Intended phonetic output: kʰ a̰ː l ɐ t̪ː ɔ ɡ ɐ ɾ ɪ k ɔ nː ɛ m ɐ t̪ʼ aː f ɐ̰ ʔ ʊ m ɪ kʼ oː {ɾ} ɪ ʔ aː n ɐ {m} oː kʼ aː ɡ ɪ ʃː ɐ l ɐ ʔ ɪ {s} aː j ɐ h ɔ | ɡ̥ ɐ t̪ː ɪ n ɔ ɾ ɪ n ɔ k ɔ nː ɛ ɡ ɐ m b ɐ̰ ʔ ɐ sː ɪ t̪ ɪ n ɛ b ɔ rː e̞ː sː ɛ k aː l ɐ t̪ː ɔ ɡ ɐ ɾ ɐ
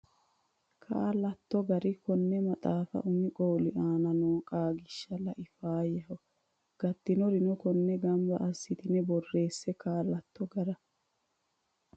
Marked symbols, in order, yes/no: no, no, no

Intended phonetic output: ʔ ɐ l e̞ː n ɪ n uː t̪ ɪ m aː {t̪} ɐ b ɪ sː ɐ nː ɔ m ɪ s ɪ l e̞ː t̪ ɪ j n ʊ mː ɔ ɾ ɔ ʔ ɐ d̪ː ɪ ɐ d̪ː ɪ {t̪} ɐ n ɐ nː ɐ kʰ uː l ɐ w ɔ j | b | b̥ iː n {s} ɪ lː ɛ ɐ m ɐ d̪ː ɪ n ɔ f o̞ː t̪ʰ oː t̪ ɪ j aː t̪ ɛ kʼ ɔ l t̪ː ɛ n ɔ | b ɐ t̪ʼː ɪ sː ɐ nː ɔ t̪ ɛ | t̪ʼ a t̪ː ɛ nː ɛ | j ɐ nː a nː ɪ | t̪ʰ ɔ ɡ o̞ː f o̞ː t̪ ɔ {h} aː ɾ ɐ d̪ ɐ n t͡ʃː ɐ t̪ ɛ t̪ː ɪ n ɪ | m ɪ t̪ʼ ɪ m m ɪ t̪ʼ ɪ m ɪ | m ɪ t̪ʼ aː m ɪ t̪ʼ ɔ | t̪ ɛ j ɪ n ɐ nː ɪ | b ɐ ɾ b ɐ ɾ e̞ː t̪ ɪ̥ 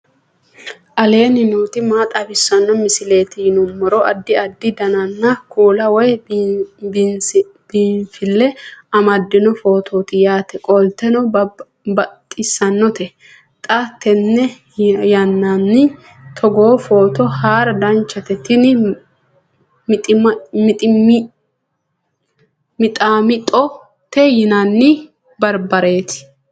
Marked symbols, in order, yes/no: no, no, no, yes

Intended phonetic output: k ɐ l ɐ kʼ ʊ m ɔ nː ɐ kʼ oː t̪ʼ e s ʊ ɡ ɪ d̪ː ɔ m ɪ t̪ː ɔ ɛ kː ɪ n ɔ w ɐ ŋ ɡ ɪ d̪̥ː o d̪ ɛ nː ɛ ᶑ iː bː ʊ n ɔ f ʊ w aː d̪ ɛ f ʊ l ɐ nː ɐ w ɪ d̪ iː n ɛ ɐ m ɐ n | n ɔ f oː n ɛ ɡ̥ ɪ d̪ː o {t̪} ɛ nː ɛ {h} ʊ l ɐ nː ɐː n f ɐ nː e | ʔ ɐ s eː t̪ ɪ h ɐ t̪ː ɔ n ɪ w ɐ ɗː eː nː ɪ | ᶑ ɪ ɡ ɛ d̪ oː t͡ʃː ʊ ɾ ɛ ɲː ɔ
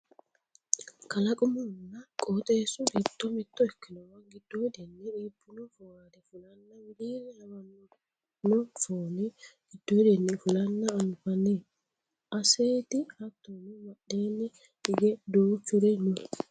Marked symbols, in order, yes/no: no, no

